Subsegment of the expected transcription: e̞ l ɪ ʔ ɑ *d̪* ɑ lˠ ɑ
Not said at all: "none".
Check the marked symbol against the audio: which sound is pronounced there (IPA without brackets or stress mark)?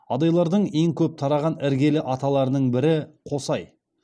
t̪